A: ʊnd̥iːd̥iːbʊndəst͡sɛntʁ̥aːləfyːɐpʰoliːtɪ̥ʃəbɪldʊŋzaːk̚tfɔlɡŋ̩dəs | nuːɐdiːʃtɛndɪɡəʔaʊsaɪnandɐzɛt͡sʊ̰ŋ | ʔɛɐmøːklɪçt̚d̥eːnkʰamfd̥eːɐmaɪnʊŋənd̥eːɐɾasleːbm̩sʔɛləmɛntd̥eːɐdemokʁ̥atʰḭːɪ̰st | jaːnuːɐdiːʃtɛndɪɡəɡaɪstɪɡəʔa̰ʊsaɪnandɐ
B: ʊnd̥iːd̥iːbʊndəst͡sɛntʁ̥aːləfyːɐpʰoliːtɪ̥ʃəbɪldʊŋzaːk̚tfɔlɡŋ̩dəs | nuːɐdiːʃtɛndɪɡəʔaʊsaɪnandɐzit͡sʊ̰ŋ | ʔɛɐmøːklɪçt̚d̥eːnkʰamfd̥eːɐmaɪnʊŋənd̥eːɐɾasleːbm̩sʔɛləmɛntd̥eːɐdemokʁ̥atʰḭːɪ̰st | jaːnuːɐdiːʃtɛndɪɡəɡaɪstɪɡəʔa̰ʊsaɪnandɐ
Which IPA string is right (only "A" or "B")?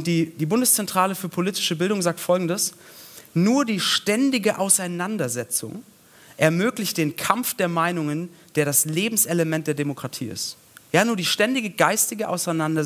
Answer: A